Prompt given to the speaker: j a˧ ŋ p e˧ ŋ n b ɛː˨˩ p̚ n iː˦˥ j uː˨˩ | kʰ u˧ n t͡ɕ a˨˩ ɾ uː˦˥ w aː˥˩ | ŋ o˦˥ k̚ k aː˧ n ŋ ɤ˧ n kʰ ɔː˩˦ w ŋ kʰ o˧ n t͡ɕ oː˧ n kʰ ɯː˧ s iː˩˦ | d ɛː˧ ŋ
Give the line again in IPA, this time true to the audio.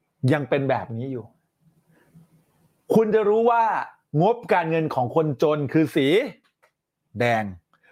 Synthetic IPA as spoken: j a˧ ŋ p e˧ n b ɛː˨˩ p̚ n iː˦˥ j uː˨˩ | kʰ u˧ n t͡ɕ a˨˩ ɾ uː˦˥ w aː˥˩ | ŋ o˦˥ p̚ k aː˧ n ŋ ɤ˧ n kʰ ɔː˩˦ ŋ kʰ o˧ n t͡ɕ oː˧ n kʰ ɯː˧ s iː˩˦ | d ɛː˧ ŋ